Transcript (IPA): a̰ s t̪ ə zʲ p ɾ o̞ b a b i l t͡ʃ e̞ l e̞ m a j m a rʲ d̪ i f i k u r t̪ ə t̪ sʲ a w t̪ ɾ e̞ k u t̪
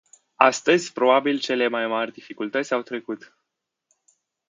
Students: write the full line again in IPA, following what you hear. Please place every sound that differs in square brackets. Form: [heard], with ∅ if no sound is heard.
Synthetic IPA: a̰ s t̪ ə zʲ p ɾ o̞ b a b i l t͡ʃ e̞ l e̞ m a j m a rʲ d̪ i f i k u [l] t̪ ə t̪ sʲ a w t̪ ɾ e̞ k u t̪